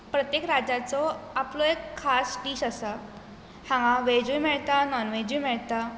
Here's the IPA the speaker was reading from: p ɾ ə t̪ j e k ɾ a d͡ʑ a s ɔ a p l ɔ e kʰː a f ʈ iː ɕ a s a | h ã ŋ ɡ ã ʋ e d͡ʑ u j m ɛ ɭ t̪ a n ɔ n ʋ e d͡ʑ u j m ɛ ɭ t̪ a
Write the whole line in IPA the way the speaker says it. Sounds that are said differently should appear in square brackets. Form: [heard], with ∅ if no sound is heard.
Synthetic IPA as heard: p ɾ ə t̪ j e k ɾ a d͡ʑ a [t͡s] ɔ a p l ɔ e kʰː a [s] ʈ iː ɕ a s a | h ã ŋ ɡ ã ʋ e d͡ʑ u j m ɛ ɭ t̪ a n ɔ n ʋ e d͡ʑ u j m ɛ ɭ t̪ a